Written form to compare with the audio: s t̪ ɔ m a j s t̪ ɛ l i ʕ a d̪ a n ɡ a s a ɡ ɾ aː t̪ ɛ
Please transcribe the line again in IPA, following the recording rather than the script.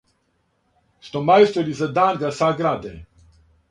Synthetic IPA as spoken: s t̪ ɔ m a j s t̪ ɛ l i z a d̪ a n ɡ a s a ɡ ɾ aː d̪ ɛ

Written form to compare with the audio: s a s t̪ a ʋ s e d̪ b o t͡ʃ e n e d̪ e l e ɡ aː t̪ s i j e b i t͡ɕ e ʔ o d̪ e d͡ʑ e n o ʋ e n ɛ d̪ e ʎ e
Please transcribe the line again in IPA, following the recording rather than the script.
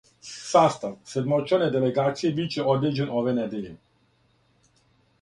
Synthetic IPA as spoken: s a s t̪ a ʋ s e d̪ m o t͡ʃ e n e d̪ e l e ɡ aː t̪ s i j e b i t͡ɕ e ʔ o d̪ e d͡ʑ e n o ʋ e n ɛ d̪ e ʎ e

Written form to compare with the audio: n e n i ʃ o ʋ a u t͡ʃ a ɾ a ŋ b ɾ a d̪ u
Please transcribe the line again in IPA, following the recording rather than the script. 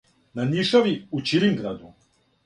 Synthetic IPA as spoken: n a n i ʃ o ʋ i u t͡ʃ i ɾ i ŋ ɡ ɾ a d̪ u

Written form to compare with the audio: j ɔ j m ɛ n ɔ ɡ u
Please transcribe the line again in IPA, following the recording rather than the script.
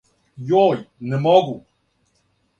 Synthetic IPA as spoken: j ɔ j n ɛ m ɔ ɡ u

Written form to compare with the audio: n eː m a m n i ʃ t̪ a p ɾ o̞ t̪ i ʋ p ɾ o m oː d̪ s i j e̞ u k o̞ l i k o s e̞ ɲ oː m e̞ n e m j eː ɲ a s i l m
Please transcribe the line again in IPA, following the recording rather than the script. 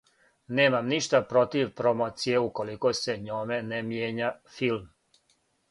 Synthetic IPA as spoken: n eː m a m n i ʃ t̪ a p ɾ o̞ t̪ i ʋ p ɾ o m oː t̪ s i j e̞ u k o̞ l i k o s e̞ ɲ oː m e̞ n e m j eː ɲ a f i l m

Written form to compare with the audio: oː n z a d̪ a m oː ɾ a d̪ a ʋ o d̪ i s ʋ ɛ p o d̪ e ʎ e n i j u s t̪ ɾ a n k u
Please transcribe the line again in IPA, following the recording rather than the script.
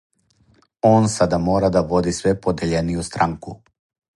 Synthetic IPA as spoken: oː n s a d̪ a m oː ɾ a d̪ a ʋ o d̪ i s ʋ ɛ p o d̪ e ʎ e n i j u s t̪ ɾ a ŋ k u

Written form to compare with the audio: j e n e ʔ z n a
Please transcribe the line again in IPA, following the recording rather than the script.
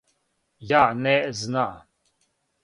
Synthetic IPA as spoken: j a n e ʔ z n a

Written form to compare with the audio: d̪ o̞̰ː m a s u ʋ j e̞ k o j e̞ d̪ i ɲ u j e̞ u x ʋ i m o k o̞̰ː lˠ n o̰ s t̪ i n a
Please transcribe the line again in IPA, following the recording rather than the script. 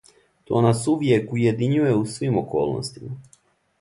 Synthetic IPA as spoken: t̪ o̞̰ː n a s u ʋ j e̞ k u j e̞ d̪ i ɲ u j e̞ u s ʋ i m o k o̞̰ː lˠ n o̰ s t̪ i m a

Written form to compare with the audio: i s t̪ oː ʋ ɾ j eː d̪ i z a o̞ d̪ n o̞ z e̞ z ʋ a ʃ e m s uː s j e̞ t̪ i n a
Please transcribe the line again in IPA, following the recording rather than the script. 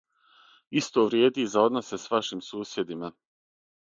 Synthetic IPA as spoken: i s t̪ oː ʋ ɾ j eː d̪ i z a o̞ d̪ n o̞ s e̞ s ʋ a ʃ i m s uː s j e̞ d̪ i m a

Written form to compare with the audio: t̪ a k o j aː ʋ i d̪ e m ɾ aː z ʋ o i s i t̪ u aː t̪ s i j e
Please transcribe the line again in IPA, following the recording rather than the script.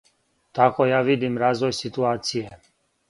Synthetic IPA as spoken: t̪ a k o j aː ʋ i d̪ i m ɾ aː z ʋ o j s i t̪ u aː t̪ s i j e

